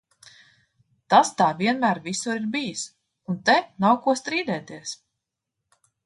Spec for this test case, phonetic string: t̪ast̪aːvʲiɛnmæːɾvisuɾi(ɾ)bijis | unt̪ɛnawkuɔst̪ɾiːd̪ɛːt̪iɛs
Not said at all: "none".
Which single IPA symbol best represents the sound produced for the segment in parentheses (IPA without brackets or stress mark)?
ɾ